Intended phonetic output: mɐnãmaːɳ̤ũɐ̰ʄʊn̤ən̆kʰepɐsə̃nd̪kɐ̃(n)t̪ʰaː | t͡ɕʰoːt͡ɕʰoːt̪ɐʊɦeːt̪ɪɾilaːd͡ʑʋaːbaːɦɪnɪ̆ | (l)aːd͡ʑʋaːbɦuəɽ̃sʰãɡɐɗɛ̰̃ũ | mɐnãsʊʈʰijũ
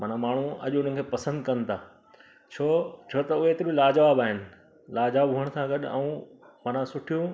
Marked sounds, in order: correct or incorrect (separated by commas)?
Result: correct, correct